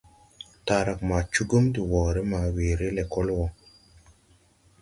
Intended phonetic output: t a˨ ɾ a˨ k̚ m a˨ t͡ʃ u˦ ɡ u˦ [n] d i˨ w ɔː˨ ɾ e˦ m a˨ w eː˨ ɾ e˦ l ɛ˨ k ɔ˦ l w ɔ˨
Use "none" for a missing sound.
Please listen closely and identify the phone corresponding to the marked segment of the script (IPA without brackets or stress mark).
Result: m